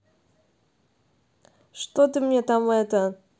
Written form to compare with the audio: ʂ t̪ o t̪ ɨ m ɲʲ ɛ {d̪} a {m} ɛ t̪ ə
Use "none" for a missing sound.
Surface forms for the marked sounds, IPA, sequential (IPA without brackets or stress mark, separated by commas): t̪, m